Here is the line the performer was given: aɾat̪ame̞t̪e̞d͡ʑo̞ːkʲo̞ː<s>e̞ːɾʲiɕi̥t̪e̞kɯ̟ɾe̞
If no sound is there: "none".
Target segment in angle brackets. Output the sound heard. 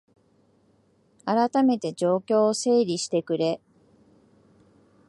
s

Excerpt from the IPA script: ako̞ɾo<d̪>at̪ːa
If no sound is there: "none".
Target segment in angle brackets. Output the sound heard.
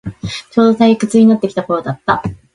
d̪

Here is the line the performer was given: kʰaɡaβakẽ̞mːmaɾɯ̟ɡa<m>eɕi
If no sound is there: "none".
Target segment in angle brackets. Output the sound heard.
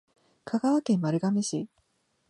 m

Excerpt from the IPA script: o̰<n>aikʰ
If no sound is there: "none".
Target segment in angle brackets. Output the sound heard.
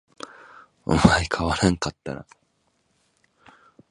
m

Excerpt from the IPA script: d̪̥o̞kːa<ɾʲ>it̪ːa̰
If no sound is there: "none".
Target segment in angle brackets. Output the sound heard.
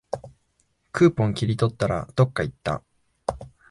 none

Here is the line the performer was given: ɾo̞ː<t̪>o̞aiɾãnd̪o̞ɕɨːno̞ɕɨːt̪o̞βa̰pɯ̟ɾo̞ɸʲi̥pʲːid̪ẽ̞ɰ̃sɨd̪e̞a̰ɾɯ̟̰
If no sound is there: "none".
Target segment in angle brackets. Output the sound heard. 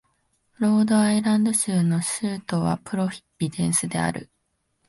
d̪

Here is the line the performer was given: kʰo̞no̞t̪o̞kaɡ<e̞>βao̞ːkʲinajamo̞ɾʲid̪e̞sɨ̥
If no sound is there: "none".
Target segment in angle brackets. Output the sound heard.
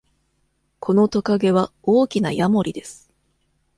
e̞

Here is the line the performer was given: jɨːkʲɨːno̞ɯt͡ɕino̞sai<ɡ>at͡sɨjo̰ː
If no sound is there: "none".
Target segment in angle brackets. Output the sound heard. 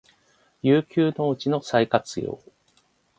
k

